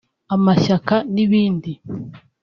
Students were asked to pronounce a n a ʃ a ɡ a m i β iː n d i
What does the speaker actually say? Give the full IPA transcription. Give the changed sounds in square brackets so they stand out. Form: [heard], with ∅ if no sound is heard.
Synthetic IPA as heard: a [m] a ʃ a [k] a [n] i β iː n d i